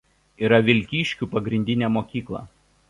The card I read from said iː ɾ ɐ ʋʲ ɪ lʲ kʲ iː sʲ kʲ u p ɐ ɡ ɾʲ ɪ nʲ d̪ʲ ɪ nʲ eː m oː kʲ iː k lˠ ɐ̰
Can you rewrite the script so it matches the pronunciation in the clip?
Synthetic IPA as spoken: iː ɾ ɐ ʋʲ ɪ lʲ kʲ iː ʃʲ kʲ u p ɐ ɡ ɾʲ ɪ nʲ d̪ʲ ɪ nʲ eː m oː kʲ iː k lˠ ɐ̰